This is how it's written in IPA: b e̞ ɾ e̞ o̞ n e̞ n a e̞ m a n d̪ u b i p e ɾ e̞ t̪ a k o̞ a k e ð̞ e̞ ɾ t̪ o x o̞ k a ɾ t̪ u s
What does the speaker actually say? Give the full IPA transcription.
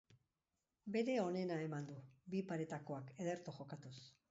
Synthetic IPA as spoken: b e̞ ɾ e̞ o̞ n e̞ n a e̞ m a n d̪ u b i p a ɾ e̞ t̪ a k o̞ a k e ð̞ e̞ ɾ t̪ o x o̞ k a t̪ u s